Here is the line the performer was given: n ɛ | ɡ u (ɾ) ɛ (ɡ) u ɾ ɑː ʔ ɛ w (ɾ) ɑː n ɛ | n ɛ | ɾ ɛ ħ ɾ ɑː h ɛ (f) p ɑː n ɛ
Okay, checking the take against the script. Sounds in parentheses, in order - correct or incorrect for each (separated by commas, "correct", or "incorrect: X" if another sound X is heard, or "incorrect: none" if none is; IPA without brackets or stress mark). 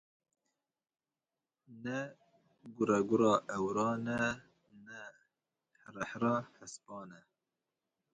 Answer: correct, correct, correct, incorrect: s